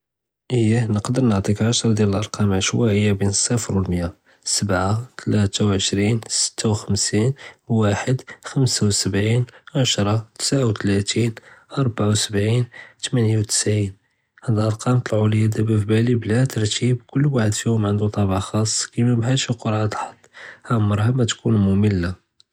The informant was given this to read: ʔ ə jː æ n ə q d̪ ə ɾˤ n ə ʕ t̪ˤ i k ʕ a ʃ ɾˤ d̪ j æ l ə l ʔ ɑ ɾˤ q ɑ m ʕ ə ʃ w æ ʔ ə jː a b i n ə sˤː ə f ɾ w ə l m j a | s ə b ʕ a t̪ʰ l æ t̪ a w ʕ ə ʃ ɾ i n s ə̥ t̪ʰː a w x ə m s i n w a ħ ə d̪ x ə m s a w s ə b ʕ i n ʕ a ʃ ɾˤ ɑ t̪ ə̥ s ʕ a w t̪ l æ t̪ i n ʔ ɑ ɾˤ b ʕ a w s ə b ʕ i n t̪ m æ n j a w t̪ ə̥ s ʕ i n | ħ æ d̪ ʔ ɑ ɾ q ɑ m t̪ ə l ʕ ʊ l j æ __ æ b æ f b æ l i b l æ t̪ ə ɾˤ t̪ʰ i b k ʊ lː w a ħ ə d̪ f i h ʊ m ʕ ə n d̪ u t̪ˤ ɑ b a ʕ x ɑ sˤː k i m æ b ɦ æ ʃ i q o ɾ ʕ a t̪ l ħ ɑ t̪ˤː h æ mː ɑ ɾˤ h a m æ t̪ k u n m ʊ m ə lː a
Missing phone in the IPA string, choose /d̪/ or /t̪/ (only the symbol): d̪